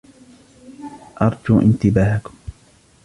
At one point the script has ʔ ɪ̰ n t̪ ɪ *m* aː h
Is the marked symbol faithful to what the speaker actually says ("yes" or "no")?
no